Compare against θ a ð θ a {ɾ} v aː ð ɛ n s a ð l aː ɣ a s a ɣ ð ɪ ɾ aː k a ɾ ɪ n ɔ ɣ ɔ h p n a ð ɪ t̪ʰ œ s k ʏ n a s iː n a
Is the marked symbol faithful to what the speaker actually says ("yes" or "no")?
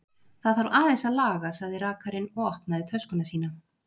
yes